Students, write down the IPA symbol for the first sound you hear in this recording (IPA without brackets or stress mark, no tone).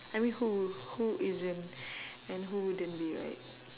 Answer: a